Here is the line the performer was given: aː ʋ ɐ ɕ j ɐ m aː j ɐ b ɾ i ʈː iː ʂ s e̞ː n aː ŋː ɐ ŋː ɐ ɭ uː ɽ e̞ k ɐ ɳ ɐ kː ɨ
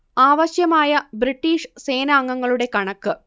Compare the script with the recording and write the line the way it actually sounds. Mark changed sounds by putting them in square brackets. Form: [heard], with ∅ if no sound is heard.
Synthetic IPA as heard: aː ʋ ɐ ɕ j ɐ m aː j ɐ b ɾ i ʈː iː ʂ s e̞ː n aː ŋː ɐ ŋː ɐ ɭ [u] ɽ e̞ k ɐ ɳ ɐ kː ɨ